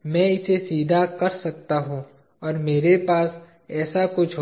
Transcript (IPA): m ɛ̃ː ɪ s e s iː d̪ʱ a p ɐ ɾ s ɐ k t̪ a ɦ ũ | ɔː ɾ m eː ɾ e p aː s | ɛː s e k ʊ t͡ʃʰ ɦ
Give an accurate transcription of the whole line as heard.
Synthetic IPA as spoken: m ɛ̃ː ɪ s e s iː d̪ʱ a k ɐ ɾ s ɐ k t̪ a ɦ ũ | ɔː ɾ m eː ɾ e p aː s | ɛː s a k ʊ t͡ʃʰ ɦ